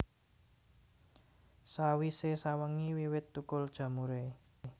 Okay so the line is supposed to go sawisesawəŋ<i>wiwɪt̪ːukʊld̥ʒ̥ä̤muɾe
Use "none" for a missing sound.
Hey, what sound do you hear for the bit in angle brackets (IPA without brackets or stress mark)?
i